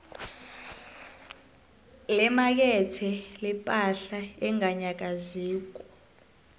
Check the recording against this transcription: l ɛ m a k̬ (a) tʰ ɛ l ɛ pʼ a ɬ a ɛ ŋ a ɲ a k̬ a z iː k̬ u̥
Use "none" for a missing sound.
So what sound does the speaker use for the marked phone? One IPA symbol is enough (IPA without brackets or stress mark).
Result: ɛ